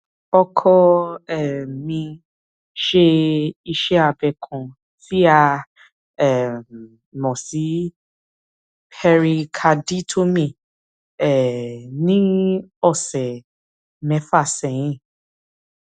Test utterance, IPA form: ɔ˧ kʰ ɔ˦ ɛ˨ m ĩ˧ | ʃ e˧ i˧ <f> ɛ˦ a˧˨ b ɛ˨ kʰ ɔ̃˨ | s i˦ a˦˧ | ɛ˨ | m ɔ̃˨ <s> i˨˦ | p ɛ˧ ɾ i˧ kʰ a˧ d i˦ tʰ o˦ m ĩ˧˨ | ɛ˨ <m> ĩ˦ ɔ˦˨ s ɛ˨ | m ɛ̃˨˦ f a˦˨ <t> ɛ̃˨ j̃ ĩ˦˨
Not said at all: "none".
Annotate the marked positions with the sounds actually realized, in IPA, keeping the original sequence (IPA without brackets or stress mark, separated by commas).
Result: ʃ, s, n, s